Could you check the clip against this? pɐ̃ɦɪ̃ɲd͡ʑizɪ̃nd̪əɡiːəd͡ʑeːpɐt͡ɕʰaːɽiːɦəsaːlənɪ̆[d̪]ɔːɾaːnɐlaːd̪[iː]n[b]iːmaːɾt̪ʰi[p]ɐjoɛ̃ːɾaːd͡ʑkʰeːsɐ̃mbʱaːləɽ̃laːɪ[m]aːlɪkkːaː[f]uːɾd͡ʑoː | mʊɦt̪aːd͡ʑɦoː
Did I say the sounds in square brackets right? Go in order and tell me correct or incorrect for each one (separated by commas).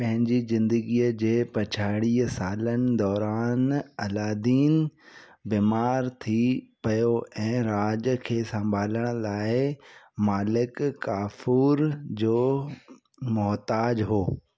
correct, correct, correct, correct, correct, correct